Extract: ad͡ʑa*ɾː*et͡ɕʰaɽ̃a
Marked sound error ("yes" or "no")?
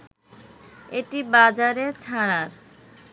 yes